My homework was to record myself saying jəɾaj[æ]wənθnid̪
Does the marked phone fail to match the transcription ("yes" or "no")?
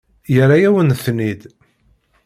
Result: no